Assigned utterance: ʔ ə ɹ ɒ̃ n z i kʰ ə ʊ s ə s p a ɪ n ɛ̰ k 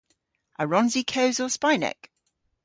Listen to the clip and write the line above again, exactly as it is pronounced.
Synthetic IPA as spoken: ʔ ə ɹ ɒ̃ n z i kʰ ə ʊ z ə s p a ɪ n ɛ̰ k